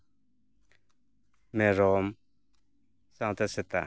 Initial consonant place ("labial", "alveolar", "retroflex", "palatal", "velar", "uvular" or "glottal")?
labial